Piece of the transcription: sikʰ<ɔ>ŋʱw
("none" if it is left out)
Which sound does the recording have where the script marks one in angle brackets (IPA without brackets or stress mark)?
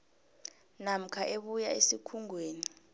u